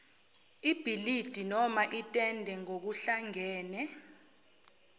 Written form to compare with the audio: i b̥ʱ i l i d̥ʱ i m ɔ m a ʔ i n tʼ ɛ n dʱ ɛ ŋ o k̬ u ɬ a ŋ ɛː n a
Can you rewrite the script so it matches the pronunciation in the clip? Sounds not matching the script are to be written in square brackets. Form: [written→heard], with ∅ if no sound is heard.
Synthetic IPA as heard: i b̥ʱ i l i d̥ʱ i [m→n] ɔ m a ʔ i [n→∅] tʼ ɛ n dʱ ɛ ŋ o k̬ u ɬ a ŋ ɛː n [a→ɛ]

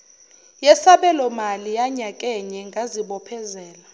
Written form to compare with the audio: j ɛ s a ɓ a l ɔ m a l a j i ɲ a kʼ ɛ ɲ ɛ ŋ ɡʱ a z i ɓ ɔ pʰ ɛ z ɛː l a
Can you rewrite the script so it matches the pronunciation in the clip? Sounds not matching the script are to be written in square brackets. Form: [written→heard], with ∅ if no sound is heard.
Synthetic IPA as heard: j ɛ s a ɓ [a→ɛ] l ɔ m a l [a→i] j [i→a] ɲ a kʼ ɛ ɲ ɛ ŋ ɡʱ a z i ɓ ɔ pʰ ɛ z ɛː l a

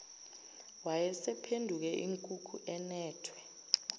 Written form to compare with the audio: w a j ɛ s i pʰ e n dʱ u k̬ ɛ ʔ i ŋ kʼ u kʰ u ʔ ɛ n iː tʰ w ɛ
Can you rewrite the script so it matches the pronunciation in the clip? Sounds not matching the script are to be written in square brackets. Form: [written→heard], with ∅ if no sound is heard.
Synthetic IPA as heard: w a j ɛ s [i→ɛ] pʰ e n dʱ u k̬ ɛ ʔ i ŋ kʼ u kʰ u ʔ ɛ n [iː→ɛː] tʰ w ɛ

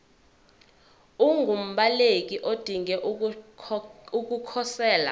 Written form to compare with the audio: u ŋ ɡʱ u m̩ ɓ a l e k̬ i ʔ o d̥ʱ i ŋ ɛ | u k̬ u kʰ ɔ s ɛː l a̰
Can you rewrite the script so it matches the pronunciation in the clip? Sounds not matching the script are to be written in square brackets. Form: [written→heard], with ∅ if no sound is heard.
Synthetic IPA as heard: u ŋ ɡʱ u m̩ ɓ a l e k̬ i ʔ o d̥ʱ i ŋ ɛ | u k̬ u kʰ ɔ s ɛː l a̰

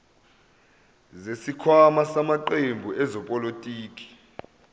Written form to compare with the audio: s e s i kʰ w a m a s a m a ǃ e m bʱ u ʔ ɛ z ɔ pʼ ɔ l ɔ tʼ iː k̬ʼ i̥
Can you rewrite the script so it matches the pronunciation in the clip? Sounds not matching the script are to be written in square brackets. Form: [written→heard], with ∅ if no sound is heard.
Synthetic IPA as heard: [s→z] e s i kʰ w a m a s a m a ǃ e m bʱ u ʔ ɛ z ɔ pʼ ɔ l [ɔ→o] tʼ iː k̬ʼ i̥

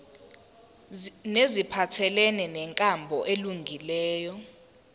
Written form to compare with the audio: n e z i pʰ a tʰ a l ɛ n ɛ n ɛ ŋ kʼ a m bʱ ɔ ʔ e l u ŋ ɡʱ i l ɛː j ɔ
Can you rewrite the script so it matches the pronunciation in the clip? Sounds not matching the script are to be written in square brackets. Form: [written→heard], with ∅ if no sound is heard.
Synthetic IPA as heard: n e z i pʰ a tʰ [a→ɛ] l ɛ n ɛ n ɛ ŋ kʼ a m bʱ ɔ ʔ e l u ŋ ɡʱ i l ɛː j ɔ

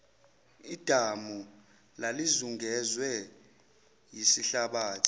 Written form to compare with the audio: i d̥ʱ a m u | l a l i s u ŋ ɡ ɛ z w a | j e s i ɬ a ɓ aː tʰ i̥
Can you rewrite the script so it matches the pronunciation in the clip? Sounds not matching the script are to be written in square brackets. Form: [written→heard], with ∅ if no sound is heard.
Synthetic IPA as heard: i d̥ʱ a m u | l a l i [s→z] u ŋ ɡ ɛ z w [a→ɛ] | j [e→i] s i ɬ a ɓ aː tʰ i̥

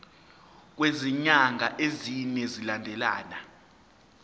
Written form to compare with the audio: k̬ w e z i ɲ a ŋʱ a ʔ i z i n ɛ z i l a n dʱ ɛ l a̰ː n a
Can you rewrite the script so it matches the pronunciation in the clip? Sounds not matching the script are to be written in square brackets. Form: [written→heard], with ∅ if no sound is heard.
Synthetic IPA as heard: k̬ w e z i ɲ a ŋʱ a ʔ [i→e] z i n ɛ z i l a n dʱ ɛ l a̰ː n a

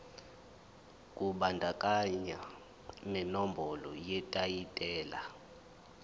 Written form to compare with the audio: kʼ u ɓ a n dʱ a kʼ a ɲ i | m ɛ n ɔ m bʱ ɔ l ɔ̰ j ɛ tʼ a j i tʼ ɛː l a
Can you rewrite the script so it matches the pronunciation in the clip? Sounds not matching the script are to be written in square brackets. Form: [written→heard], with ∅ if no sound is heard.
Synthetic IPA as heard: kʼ u ɓ a n dʱ a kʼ a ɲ [i→a] | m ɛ n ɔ m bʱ ɔ l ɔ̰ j ɛ tʼ a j i tʼ ɛː l a

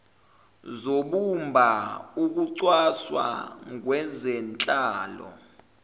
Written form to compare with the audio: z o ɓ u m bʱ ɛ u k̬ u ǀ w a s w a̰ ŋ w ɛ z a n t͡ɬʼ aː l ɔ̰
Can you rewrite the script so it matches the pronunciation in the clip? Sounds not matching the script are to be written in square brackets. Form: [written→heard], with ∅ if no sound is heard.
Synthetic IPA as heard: z o ɓ u m bʱ [ɛ→a] u k̬ u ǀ w a s w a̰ ŋ w ɛ z [a→ɛ] n t͡ɬʼ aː l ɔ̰

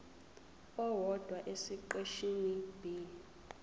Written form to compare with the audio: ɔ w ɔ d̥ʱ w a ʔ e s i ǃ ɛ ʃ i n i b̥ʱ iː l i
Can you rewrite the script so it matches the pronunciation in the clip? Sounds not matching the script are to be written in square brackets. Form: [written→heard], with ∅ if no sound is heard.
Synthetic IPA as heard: ɔ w ɔ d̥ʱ w a ʔ e s i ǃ [ɛ→e] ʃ i n i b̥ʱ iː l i

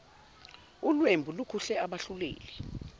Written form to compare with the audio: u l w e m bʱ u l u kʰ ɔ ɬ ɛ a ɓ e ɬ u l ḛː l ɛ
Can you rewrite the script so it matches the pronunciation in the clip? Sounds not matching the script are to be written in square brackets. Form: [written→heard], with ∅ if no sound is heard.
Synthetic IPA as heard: u l w e m bʱ u l u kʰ [ɔ→u] ɬ ɛ a ɓ [e→a] ɬ u l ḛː l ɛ

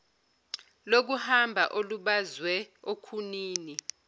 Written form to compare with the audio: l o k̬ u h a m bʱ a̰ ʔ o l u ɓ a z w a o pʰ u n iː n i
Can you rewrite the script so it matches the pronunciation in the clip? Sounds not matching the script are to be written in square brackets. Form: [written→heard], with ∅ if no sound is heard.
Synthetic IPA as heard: l o k̬ u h a m bʱ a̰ ʔ o l u ɓ a z w [a→ɛ] o [pʰ→kʰ] u n iː n i

